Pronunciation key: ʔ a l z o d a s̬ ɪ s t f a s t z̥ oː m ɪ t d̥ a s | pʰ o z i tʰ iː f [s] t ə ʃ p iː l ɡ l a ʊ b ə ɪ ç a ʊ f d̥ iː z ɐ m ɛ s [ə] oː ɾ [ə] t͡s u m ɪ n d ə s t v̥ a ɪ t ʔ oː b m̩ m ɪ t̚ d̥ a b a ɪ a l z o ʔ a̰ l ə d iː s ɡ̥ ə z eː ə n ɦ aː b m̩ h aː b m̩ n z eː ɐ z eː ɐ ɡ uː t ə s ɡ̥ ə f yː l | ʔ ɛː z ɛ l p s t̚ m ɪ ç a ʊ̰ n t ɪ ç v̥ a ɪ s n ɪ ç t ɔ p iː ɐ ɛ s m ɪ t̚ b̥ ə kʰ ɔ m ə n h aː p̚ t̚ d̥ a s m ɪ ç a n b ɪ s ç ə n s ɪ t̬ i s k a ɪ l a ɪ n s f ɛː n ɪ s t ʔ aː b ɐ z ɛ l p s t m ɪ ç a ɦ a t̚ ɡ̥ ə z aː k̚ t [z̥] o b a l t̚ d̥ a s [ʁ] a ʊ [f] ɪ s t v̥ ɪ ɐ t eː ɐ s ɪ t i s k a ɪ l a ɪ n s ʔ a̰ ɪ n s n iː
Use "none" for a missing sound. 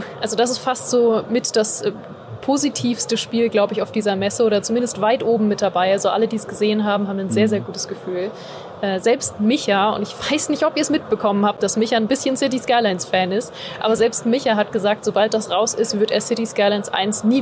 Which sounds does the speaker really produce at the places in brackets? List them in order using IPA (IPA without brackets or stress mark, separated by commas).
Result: s, ə, ɐ, z̥, ʁ, s